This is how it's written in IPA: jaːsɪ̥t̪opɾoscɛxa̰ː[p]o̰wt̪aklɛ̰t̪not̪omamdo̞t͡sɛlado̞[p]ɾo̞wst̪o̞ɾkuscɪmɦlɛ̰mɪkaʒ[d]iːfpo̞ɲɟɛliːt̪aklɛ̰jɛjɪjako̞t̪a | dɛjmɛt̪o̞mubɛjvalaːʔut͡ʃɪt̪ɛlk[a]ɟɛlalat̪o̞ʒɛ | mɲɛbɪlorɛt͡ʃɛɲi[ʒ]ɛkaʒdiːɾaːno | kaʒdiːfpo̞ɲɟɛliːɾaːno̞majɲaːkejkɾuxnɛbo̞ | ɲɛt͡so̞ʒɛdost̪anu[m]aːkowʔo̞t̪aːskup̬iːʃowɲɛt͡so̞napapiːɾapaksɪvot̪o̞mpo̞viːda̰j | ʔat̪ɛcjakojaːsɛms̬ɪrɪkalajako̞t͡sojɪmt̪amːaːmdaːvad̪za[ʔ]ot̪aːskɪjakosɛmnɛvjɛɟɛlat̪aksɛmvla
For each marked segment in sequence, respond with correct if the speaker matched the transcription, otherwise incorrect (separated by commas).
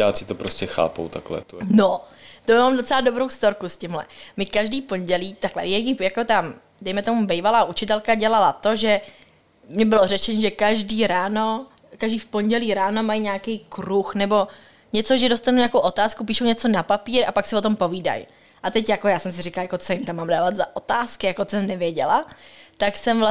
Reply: correct, incorrect, correct, correct, correct, incorrect, correct